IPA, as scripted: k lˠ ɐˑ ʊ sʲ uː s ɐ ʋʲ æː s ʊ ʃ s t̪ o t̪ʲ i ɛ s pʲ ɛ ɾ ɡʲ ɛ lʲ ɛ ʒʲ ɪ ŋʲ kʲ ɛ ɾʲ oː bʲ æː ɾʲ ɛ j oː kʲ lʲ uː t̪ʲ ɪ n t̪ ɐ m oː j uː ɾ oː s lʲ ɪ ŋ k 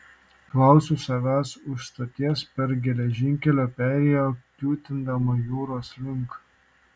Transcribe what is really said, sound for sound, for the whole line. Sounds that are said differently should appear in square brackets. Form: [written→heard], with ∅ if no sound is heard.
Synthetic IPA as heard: k lˠ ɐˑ ʊ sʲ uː s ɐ ʋʲ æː s ʊ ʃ s t̪ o t̪ʲ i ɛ s pʲ ɛ ɾ ɡʲ ɛ lʲ ɛ ʒʲ ɪ ŋʲ kʲ ɛ [ɾʲ→lʲ] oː [bʲ→pʲ] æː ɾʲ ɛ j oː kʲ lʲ uː t̪ʲ ɪ n [t̪→d̪] ɐ m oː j uː ɾ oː s lʲ ɪ ŋ k